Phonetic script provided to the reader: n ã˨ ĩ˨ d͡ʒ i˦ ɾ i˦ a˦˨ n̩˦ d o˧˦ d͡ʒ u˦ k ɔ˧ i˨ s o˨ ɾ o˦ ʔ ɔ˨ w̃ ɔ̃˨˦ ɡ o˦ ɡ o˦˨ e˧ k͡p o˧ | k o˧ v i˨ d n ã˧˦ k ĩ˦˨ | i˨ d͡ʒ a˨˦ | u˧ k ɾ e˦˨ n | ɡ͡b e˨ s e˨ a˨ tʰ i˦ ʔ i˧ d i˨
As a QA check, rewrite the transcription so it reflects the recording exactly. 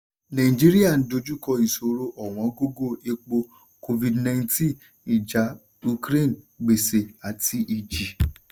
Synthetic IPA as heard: n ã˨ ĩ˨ d͡ʒ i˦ ɾ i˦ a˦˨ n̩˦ d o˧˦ d͡ʒ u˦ k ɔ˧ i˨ s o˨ ɾ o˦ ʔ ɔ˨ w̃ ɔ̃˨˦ ɡ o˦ ɡ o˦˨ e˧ k͡p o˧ | k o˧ v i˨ d n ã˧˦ t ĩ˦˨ | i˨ d͡ʒ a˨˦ | u˧ k ɾ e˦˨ n | ɡ͡b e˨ s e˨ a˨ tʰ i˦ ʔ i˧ d͡ʒ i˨